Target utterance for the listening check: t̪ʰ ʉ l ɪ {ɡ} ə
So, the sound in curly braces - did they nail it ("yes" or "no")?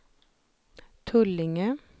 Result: no